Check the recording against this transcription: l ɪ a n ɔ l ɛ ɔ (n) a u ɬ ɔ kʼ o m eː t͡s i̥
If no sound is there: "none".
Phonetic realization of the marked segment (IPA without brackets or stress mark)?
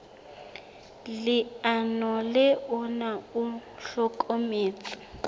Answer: n